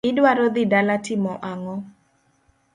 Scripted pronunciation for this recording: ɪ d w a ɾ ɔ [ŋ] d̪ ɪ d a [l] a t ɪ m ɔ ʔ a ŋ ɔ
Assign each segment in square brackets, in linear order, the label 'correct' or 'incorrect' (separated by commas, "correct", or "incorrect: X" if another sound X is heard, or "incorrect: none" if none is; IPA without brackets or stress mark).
incorrect: none, correct